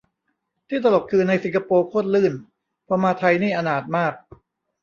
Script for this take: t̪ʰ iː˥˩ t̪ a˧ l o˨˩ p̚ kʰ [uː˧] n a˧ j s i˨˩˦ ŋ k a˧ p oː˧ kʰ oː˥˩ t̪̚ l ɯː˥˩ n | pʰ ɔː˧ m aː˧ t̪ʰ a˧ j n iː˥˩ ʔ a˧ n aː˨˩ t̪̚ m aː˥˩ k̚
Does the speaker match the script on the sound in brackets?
no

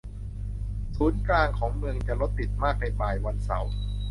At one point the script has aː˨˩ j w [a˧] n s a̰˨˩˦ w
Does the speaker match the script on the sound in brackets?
yes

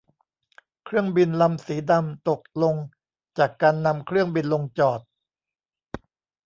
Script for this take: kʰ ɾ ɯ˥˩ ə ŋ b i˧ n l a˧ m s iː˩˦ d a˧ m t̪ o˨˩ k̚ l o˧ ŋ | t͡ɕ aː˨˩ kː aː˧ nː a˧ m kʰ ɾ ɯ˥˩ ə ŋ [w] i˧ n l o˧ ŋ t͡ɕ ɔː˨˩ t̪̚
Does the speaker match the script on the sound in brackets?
no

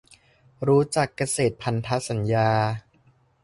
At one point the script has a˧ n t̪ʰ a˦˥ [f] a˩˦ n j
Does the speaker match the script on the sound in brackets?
no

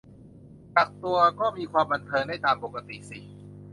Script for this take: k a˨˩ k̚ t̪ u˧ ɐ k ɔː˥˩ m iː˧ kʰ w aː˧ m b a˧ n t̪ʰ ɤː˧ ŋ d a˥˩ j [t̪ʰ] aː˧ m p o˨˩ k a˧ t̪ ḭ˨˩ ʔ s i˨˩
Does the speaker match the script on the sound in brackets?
no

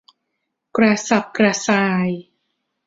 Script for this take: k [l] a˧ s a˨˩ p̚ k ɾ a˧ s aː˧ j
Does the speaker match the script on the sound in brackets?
no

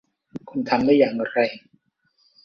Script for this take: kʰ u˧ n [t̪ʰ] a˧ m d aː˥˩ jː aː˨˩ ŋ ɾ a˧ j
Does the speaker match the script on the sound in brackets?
yes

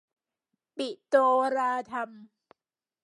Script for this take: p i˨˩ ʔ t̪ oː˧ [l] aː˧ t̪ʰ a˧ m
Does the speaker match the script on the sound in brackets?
no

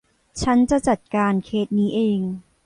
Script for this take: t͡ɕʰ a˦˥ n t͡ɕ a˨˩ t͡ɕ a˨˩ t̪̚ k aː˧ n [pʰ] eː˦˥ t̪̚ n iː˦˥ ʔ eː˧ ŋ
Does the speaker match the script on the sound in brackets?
no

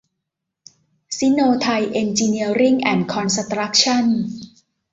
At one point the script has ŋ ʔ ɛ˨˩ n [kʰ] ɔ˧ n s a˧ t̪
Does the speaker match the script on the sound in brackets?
yes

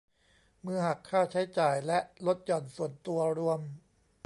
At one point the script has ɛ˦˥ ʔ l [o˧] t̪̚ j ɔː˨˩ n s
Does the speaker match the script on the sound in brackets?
no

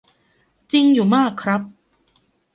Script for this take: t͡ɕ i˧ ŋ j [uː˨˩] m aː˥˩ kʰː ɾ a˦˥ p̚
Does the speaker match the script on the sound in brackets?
yes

